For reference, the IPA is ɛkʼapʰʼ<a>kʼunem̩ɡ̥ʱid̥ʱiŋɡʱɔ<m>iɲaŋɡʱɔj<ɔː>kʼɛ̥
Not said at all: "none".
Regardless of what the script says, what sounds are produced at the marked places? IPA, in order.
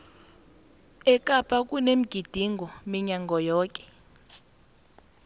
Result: a, m, ɔː

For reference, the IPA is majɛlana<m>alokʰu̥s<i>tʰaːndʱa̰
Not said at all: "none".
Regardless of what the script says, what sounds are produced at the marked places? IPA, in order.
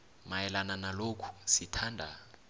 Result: n, i

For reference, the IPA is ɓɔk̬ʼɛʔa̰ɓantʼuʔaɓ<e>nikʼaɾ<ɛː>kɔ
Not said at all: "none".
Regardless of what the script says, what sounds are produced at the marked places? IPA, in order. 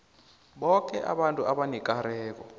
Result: a, ɛː

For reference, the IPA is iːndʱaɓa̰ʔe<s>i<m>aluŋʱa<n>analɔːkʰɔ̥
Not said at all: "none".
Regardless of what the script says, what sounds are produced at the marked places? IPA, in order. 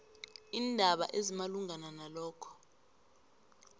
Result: z, m, n

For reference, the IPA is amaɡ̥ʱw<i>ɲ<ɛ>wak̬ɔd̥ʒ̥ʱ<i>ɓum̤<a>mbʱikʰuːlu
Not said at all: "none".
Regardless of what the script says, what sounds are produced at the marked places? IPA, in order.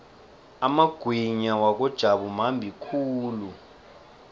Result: i, a, a, a

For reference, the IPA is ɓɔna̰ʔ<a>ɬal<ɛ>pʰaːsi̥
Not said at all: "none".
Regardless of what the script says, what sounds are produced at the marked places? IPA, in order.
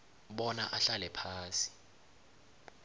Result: a, ɛ

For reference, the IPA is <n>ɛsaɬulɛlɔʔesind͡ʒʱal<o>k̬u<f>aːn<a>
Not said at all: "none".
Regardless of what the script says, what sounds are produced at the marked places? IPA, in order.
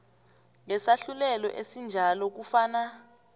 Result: ŋ, ɔ, f, a

